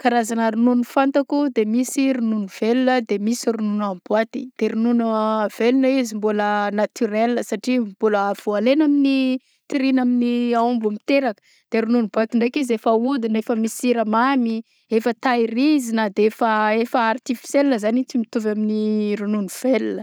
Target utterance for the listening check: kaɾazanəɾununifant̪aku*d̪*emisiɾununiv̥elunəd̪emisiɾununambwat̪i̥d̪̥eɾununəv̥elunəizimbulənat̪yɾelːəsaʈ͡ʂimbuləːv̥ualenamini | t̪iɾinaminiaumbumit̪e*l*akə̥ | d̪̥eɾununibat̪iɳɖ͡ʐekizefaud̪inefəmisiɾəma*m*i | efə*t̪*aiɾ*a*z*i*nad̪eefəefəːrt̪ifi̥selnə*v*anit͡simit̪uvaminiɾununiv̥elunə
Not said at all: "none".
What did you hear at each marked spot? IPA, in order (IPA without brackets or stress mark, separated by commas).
d̪, ɾ, m, t̪, i, i, z